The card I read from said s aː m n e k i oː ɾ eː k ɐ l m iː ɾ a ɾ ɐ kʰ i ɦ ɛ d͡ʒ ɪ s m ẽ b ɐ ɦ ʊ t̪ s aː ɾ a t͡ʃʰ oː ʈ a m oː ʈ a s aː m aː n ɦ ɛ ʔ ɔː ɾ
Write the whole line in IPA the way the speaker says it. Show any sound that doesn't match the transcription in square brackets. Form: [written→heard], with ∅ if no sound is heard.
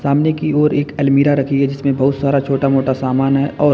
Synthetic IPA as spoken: s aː m n e k i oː ɾ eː k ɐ l m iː ɾ a ɾ ɐ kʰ i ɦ ɛ d͡ʒ ɪ s m ẽ b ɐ ɦ ʊ t̪ s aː ɾ a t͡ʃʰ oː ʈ a m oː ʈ a s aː m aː n ɦ ɛ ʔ ɔː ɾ